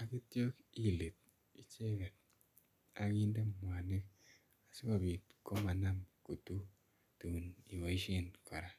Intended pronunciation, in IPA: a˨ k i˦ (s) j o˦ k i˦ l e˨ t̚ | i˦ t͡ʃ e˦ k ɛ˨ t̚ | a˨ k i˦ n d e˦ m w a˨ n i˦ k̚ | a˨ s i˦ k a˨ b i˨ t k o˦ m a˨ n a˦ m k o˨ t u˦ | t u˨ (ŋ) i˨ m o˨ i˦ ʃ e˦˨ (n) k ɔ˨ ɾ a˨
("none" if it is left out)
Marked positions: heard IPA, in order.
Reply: t, n, n

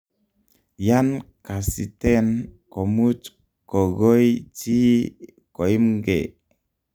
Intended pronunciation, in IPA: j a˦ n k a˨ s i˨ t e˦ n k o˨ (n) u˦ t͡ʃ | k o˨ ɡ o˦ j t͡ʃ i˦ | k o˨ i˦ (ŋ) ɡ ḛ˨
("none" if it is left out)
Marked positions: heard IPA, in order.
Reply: m, m

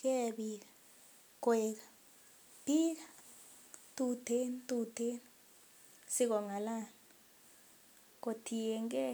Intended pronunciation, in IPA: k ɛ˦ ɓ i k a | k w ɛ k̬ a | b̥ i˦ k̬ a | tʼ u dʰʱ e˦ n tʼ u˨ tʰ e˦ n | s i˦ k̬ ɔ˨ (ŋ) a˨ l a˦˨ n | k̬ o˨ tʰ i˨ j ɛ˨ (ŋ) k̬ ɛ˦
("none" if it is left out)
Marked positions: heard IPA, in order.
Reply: ŋ, ŋ

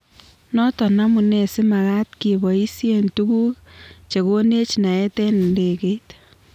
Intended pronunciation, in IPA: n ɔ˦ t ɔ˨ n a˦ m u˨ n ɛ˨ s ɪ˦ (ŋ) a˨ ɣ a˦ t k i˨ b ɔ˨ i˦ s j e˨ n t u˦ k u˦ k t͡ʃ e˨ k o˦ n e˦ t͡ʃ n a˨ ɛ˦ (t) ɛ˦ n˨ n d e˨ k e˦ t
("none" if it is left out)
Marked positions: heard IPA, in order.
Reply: m, t

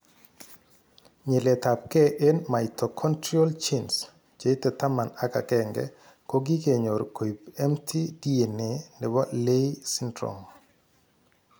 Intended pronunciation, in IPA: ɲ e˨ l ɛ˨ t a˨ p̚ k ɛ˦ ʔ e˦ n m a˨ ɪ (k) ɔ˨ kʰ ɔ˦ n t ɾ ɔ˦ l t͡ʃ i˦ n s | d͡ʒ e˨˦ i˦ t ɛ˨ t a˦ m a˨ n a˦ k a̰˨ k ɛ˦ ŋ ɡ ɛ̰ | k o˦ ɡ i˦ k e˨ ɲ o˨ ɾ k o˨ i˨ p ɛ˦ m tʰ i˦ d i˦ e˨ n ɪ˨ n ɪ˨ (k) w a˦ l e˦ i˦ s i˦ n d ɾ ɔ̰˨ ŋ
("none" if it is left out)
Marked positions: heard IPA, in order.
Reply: t, none

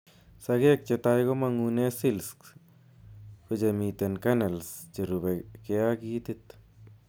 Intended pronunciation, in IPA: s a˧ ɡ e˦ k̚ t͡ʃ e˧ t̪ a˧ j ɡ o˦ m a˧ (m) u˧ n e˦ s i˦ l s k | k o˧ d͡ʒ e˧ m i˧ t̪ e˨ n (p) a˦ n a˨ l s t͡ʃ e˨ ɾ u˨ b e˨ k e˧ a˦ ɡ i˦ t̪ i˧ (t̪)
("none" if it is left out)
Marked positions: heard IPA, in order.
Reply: ŋ, k, t̪

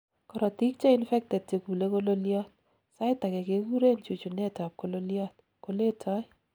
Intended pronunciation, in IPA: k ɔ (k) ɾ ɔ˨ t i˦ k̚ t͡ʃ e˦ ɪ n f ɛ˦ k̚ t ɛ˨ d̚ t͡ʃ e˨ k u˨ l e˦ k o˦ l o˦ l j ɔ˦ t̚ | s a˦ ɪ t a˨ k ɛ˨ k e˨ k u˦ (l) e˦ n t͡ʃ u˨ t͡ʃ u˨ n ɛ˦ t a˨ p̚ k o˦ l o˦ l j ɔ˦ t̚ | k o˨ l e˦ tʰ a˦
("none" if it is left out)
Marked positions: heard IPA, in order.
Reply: none, ɾ

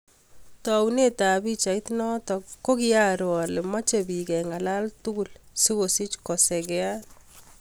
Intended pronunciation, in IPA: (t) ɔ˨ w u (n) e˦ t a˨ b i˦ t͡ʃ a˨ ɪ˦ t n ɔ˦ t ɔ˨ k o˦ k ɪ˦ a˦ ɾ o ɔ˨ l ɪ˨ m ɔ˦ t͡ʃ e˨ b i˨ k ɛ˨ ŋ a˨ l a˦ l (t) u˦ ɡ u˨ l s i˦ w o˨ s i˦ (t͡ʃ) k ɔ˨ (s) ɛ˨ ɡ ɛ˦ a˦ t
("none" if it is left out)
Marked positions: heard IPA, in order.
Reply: t, n, t, t͡ʃ, s

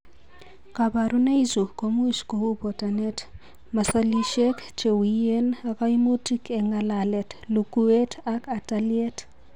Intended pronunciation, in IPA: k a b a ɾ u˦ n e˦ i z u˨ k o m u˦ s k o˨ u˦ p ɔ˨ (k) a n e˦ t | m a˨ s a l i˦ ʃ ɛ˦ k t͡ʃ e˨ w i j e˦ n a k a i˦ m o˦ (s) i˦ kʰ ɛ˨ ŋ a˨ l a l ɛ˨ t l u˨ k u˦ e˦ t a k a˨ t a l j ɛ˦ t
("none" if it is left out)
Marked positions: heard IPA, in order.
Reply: t, t

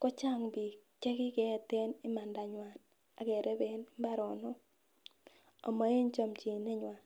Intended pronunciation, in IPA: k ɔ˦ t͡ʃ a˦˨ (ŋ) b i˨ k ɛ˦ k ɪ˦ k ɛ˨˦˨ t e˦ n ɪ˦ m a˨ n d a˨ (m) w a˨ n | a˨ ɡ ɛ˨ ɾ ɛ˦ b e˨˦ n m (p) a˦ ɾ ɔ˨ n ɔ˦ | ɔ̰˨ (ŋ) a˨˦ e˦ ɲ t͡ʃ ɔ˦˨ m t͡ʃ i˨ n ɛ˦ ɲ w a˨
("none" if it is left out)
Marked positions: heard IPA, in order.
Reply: ŋ, ɲ, b, m

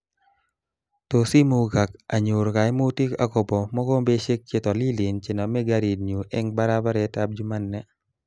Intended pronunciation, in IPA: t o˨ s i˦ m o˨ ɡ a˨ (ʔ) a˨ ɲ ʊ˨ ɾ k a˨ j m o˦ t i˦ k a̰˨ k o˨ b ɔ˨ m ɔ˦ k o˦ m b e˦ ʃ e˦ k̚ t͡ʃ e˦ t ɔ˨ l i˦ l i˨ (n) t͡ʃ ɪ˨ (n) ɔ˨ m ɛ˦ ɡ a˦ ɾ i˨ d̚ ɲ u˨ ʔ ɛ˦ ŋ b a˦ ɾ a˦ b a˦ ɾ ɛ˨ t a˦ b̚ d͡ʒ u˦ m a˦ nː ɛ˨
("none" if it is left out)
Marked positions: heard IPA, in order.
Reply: k, n, n

